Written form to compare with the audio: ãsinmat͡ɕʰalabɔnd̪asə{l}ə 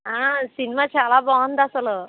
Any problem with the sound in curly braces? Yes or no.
no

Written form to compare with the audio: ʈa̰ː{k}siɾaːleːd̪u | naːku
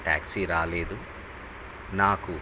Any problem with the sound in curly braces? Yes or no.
no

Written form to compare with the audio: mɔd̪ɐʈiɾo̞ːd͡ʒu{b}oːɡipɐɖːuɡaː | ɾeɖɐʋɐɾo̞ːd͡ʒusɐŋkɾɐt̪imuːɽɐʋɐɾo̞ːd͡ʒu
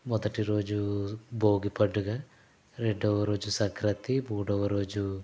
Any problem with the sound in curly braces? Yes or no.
no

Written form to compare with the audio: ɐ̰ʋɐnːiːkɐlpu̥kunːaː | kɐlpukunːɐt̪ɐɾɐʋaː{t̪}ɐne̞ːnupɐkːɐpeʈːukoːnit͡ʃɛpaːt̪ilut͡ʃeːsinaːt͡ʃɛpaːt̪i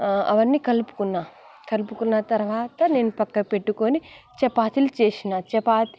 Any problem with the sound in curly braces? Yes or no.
no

